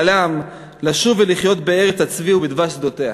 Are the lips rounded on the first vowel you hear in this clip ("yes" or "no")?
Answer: no